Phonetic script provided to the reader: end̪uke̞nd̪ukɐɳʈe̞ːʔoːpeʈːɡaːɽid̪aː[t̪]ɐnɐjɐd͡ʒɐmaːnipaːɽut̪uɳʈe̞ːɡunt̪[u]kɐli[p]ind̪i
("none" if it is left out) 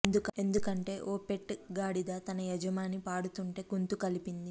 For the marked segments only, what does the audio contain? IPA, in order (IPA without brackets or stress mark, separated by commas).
t̪, u, p